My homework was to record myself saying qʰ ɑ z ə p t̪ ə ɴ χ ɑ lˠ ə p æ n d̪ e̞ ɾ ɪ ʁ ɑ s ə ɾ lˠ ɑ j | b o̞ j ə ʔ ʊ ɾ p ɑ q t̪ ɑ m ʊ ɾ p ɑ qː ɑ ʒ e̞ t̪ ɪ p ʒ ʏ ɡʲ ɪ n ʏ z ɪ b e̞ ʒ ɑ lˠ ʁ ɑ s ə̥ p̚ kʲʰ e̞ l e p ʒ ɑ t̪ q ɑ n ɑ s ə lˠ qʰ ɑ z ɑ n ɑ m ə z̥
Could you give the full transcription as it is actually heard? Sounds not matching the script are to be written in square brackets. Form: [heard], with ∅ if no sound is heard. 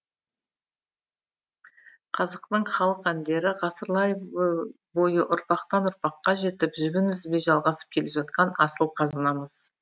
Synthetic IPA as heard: qʰ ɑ z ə [q] t̪ ə ɴ χ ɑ lˠ ə [q] æ n d̪ e̞ ɾ ɪ ʁ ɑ s ə ɾ lˠ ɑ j | b o̞ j ə ʔ ʊ ɾ p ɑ q t̪ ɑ [n] ʊ ɾ p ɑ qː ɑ ʒ e̞ t̪ ɪ p ʒ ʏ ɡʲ ɪ n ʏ z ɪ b e̞ ʒ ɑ lˠ ʁ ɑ s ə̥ p̚ kʲʰ e̞ l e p ʒ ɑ t̪ q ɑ n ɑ s ə lˠ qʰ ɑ z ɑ n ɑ m ə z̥